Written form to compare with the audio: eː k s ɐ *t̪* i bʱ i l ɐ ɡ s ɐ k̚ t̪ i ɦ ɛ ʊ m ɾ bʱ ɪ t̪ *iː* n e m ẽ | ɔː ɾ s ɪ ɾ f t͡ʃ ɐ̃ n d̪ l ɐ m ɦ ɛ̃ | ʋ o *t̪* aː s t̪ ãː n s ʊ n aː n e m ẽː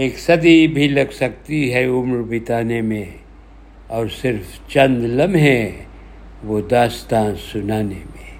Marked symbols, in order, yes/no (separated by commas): no, no, no